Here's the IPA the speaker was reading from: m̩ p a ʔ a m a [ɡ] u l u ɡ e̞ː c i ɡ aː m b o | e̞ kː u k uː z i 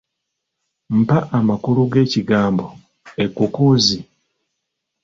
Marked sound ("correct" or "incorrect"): incorrect